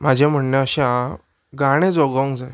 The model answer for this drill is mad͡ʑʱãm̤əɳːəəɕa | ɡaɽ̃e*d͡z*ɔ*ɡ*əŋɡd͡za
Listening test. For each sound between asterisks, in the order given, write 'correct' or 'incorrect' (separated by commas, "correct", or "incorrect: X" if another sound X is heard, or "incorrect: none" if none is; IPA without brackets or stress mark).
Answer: correct, correct